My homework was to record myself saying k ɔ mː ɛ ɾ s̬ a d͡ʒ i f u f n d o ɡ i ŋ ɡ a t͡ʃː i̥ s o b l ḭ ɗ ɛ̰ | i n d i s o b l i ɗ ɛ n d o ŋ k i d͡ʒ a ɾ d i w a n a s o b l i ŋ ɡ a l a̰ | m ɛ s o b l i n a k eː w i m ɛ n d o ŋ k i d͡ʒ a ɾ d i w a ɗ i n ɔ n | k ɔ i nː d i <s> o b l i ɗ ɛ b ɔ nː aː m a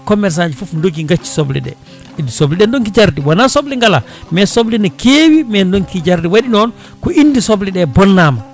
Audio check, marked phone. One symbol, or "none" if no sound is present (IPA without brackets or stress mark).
s